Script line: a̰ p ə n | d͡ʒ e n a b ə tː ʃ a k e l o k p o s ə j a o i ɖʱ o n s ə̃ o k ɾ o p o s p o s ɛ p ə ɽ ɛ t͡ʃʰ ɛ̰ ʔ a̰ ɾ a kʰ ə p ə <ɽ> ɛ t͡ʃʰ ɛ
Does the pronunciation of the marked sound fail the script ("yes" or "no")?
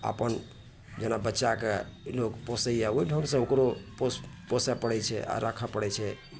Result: no